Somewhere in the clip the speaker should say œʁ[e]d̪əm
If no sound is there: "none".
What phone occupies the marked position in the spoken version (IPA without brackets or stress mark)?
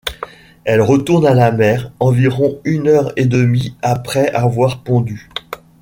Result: e